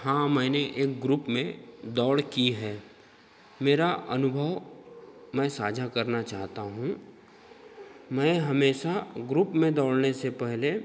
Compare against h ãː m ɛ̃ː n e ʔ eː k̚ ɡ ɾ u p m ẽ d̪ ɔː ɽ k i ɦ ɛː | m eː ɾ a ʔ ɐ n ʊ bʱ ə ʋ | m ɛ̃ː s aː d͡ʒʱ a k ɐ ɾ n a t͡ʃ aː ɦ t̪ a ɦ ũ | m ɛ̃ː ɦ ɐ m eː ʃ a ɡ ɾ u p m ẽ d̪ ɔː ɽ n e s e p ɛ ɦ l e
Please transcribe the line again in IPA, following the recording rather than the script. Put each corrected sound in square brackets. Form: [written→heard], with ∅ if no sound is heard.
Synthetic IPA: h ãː m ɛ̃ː n e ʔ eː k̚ ɡ ɾ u p m ẽ d̪ ɔː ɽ k i ɦ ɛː | m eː ɾ a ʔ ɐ n ʊ bʱ ə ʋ | m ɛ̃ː s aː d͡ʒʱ a k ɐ ɾ n a t͡ʃ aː ɦ t̪ a ɦ ũ | m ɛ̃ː ɦ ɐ m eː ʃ a ɡ ɾ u p m ẽ d̪ ɔː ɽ n e s e p ɛ ɦ l e